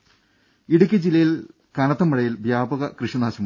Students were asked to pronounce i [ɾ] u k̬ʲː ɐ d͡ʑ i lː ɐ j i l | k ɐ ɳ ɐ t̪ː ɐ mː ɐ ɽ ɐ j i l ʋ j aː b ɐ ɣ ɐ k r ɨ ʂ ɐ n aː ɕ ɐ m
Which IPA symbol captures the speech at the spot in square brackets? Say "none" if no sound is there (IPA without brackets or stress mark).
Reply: ɽ